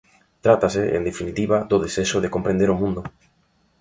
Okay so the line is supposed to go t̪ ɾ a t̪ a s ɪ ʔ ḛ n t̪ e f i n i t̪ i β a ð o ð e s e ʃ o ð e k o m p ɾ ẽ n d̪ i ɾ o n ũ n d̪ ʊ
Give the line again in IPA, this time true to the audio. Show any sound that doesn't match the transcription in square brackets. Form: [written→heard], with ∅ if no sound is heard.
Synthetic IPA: t̪ ɾ a t̪ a s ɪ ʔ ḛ n [t̪→d̪] e f i n i t̪ i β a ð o ð e s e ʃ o ð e k o m p ɾ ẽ n d̪ [i→e] ɾ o [n→m] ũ n d̪ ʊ